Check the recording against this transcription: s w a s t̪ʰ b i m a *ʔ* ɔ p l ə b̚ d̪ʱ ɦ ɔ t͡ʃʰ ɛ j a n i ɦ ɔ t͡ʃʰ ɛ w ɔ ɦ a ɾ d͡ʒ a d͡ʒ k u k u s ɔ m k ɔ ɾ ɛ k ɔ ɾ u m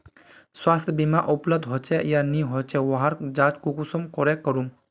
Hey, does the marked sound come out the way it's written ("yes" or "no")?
yes